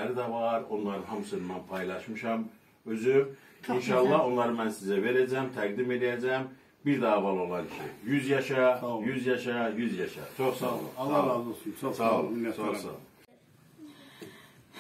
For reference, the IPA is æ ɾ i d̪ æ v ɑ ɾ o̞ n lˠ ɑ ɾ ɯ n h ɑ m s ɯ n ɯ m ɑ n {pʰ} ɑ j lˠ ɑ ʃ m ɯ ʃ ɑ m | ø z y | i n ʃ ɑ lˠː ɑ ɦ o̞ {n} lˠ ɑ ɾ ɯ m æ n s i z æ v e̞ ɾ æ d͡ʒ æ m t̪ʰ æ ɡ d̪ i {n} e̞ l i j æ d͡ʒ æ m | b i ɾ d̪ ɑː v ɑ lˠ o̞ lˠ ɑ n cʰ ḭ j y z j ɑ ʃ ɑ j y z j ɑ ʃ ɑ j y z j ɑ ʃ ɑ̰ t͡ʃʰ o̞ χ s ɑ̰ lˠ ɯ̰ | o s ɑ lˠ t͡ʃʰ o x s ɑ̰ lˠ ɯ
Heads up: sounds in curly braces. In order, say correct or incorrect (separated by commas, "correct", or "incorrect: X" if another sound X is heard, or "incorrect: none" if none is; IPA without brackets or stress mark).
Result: correct, correct, incorrect: m